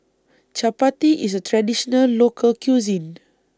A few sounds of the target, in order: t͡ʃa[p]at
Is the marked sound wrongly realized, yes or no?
no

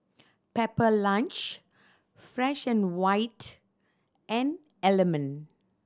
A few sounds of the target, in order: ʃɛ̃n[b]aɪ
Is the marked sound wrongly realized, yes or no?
yes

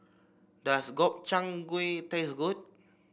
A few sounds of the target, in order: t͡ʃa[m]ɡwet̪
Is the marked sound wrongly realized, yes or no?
yes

